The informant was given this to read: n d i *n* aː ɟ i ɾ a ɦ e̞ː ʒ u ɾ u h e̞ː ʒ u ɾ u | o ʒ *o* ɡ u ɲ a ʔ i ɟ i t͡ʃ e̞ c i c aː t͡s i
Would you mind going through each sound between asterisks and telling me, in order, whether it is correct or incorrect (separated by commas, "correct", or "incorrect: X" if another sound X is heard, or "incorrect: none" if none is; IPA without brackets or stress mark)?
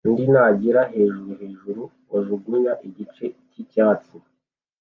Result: correct, incorrect: u